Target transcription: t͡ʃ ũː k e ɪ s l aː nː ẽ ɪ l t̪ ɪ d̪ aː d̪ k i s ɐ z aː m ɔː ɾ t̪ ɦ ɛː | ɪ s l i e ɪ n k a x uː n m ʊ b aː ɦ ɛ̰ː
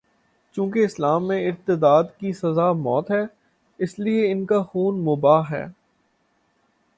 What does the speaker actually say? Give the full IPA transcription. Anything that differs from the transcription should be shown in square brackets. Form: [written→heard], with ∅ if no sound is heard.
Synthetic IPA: t͡ʃ ũː k e ɪ s l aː [nː→mː] ẽ ɪ [l→ɾ] t̪ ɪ d̪ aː d̪ k i s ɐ z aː m ɔː [ɾ→∅] t̪ ɦ ɛː | ɪ s l i e ɪ n k a x uː n m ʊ b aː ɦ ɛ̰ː